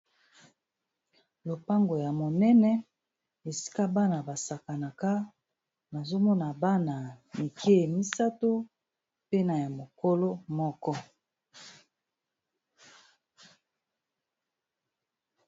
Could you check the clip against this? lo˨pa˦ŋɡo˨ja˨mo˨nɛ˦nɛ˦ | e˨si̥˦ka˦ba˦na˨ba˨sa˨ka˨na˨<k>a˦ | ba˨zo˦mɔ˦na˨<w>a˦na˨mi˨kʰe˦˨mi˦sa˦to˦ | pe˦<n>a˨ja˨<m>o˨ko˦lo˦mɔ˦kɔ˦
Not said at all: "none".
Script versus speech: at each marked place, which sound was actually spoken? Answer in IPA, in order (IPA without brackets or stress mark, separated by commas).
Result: k, b, n, m